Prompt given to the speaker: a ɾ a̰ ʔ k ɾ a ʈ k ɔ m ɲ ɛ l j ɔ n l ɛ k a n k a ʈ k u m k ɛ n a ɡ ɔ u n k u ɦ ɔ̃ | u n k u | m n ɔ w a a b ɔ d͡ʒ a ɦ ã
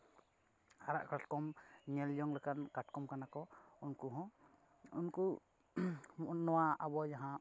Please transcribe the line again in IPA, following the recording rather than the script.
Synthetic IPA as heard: a ɾ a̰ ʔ k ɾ a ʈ k ɔ m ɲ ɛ l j ɔ ŋ l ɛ k a n k a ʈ k ɔ m k a n a k ɔ u n k u ɦ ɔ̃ | u n k u | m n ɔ w a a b ɔ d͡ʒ a ɦ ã